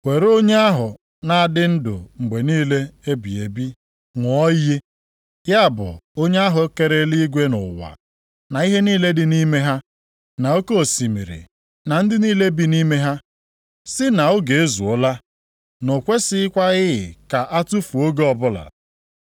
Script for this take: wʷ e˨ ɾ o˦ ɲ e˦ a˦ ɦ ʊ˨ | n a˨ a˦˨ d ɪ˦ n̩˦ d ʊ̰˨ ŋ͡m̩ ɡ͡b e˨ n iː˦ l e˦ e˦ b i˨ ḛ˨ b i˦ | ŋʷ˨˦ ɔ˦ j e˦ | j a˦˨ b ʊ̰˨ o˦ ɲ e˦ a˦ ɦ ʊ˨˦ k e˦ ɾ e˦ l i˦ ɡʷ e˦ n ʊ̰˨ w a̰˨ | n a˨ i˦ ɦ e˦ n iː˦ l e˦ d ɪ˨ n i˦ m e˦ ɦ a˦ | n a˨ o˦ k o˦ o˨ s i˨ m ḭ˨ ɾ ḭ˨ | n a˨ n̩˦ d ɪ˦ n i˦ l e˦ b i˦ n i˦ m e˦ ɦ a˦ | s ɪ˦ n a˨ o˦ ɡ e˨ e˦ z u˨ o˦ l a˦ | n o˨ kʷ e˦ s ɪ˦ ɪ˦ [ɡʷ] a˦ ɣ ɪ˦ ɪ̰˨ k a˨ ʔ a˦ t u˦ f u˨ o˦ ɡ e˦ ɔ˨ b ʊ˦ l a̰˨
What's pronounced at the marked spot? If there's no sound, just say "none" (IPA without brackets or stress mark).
kʷ